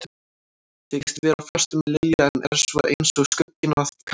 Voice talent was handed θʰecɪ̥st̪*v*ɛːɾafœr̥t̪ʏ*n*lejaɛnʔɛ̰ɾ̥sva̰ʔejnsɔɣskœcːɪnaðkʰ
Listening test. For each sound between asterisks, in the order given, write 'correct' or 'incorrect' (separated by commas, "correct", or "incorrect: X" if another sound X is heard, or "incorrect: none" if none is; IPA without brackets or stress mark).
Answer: correct, incorrect: m